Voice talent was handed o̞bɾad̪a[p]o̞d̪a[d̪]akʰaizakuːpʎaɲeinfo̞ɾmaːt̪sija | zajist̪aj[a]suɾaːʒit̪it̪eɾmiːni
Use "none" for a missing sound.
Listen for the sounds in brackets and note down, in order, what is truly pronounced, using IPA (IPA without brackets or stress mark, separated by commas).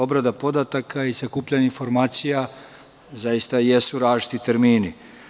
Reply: p, t̪, e